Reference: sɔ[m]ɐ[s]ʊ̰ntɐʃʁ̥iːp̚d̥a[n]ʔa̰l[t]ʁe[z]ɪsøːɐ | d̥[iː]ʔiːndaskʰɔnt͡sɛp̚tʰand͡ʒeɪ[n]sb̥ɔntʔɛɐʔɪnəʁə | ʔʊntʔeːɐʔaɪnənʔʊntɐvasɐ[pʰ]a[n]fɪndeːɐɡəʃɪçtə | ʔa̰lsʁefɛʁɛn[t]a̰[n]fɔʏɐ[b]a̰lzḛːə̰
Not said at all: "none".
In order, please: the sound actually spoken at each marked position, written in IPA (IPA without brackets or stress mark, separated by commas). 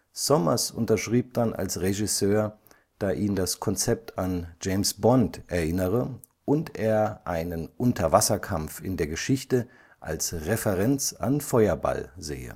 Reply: m, s, n, s, ʒ, aː, m, kʰ, m, t͡s, n, b